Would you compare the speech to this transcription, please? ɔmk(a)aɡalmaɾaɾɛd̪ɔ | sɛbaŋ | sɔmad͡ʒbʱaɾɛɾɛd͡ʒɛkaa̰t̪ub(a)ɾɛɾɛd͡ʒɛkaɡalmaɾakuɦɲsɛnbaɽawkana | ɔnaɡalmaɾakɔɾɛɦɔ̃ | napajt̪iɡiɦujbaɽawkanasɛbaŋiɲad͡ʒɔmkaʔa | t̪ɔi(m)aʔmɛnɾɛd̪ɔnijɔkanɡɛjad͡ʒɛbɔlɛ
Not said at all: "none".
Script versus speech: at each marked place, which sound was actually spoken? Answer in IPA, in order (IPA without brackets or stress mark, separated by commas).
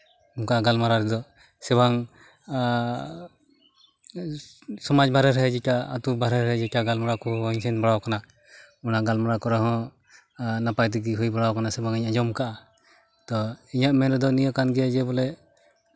a, a, ɲ